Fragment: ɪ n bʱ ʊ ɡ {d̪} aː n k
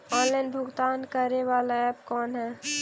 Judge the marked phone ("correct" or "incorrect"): incorrect